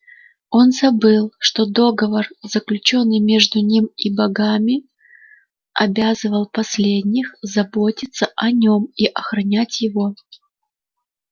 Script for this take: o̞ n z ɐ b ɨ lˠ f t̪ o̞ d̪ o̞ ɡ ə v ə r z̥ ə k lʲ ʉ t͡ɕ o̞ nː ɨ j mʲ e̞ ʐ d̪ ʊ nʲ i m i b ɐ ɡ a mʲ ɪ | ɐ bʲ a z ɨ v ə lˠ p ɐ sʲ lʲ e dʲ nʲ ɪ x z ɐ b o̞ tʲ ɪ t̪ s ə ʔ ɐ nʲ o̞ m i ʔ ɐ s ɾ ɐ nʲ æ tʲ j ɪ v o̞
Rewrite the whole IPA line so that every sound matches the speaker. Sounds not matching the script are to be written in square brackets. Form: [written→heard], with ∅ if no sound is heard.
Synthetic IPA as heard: o̞ n z ɐ b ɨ lˠ [f→ʂ] t̪ o̞ d̪ o̞ ɡ ə v ə r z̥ ə k lʲ ʉ t͡ɕ o̞ nː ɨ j mʲ e̞ ʐ d̪ ʊ nʲ i m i b ɐ ɡ a mʲ ɪ | ɐ bʲ a z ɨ v ə lˠ p ɐ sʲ lʲ e dʲ nʲ ɪ x z ɐ b o̞ tʲ ɪ t̪ s ə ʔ ɐ nʲ o̞ m i ʔ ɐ [s→x] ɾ ɐ nʲ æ tʲ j ɪ v o̞